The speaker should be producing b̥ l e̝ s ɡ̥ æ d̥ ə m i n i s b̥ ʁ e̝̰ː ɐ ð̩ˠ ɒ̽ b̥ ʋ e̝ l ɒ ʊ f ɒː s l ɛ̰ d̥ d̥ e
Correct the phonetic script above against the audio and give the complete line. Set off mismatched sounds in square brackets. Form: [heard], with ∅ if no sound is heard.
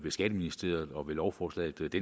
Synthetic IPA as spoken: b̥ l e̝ s ɡ̥ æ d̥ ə m i n i s [d̥] ʁ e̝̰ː ɐ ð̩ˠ ɒ̽ [∅] ʋ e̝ l ɒ ʊ f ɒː s l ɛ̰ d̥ d̥ e